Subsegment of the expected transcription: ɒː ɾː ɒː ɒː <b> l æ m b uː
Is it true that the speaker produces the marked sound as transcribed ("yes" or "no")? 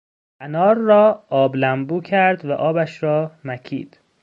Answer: yes